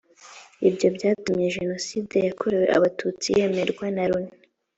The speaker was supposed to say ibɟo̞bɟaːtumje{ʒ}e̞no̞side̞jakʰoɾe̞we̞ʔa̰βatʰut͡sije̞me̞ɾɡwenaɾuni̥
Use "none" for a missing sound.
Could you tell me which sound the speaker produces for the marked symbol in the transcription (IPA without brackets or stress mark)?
ʒ